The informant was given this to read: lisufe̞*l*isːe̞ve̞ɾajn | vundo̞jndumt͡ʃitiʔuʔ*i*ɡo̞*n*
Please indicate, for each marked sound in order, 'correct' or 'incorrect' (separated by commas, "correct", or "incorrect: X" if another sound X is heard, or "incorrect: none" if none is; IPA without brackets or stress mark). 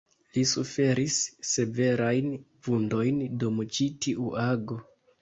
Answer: incorrect: ɾ, incorrect: a, incorrect: none